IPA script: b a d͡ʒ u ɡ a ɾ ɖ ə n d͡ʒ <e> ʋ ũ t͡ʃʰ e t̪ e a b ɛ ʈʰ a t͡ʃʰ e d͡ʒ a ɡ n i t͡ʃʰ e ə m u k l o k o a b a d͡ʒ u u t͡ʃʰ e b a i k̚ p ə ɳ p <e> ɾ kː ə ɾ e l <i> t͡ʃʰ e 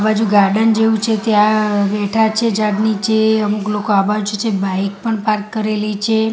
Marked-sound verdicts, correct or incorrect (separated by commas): correct, incorrect, correct